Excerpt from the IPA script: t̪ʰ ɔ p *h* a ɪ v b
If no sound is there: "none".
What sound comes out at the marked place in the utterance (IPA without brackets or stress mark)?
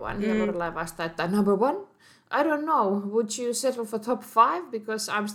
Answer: f